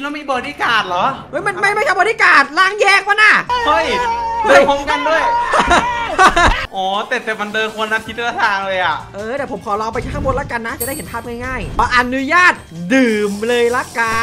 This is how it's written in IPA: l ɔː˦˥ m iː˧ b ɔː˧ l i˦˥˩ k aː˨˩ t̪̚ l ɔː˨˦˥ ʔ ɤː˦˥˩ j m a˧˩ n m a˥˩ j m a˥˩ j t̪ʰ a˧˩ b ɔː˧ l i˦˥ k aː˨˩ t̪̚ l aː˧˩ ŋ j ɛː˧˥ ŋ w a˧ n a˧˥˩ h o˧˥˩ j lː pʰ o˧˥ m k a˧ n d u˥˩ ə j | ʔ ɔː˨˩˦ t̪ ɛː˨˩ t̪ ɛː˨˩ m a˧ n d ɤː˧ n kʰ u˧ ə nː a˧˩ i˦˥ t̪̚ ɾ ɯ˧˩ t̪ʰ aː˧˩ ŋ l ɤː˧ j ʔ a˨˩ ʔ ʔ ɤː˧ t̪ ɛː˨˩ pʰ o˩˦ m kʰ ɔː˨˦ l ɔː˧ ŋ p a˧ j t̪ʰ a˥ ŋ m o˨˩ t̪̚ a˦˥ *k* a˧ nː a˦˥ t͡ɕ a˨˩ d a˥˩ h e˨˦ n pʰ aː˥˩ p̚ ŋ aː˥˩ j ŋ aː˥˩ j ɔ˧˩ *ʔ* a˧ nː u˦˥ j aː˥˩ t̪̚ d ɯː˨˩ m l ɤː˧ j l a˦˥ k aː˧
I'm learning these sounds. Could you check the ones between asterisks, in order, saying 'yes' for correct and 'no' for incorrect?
yes, yes

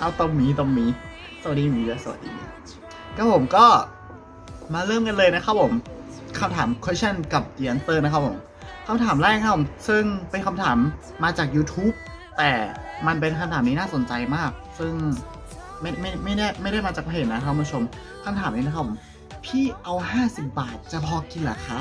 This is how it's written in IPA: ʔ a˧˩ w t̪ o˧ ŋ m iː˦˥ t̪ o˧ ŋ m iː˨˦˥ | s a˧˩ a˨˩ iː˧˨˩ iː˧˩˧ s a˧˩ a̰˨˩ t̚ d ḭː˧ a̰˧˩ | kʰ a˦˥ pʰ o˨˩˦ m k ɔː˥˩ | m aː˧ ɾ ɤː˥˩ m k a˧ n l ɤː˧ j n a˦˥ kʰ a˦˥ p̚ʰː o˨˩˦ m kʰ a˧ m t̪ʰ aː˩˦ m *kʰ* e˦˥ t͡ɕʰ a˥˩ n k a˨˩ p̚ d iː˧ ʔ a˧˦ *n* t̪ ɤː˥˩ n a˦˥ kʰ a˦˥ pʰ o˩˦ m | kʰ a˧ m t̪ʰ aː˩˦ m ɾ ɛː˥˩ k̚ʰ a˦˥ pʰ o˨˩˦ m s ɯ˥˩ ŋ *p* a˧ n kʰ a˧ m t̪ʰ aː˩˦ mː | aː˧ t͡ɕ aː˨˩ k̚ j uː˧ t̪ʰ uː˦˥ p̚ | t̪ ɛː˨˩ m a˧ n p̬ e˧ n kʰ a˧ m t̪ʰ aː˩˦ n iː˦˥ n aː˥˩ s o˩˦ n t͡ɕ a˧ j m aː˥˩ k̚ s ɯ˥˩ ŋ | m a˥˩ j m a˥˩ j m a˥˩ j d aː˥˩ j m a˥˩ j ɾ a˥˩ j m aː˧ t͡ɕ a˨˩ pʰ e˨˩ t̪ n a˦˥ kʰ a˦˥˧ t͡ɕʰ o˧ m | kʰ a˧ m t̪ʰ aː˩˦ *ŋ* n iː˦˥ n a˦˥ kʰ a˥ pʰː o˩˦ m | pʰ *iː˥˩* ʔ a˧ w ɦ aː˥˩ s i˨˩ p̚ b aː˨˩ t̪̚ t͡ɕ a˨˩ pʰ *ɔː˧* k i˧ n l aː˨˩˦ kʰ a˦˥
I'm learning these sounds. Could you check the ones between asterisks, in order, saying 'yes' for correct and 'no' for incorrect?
yes, yes, yes, no, yes, yes

